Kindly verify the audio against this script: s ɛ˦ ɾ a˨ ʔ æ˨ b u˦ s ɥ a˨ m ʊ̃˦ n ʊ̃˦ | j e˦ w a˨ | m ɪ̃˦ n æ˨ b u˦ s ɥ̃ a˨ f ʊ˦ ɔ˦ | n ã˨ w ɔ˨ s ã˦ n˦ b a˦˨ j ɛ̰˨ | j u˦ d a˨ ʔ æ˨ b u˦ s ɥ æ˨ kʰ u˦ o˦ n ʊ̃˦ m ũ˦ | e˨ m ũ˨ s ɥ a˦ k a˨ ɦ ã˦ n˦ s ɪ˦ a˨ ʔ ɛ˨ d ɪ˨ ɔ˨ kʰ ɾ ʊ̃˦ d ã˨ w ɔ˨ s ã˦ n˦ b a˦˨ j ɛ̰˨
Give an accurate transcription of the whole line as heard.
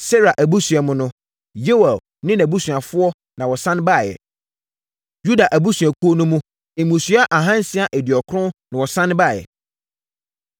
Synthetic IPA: s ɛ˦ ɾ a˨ ʔ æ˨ b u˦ s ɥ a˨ m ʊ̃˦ n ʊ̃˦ | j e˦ w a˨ | n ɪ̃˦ n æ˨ b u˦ s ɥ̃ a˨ f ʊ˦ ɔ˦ | n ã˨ w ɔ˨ s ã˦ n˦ b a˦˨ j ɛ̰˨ | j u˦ d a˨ ʔ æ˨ b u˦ s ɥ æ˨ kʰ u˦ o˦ n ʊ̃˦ m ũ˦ | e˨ m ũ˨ s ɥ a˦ ʔ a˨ ɦ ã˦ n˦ s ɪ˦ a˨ ʔ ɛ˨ d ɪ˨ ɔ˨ kʰ ɾ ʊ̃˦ n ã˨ w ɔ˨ s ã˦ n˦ b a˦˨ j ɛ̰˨